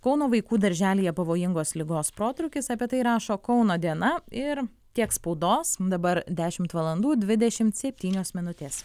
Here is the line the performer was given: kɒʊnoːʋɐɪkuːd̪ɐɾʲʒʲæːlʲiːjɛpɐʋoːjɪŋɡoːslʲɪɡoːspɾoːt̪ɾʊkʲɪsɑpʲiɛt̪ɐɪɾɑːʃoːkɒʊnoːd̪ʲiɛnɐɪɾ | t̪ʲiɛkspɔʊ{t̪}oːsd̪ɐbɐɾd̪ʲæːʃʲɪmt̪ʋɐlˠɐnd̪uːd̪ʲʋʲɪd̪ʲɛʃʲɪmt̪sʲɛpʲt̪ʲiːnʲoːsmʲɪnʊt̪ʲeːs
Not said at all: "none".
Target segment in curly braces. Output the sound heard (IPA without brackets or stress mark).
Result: d̪